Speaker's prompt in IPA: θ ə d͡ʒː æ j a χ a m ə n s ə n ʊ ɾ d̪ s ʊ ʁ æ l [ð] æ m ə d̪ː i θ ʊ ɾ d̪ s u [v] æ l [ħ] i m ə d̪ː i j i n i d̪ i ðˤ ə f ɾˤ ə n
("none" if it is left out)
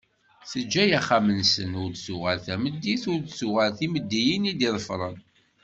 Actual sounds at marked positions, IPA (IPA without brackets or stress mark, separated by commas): θ, ʁ, θ